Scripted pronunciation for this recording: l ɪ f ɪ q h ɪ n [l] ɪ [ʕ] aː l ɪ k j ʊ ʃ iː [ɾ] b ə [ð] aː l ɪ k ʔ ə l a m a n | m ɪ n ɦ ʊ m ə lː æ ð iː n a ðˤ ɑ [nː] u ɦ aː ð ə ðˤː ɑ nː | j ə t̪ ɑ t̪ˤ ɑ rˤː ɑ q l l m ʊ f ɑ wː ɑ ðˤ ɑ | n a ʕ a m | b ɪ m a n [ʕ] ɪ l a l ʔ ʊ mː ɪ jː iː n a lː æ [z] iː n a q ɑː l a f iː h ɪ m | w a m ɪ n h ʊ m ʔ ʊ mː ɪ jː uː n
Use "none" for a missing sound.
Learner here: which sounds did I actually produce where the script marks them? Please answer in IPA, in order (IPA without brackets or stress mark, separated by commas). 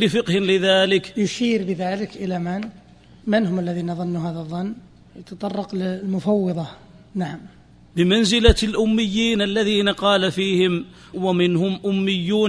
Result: l, ð, ɾ, ð, nː, z, ð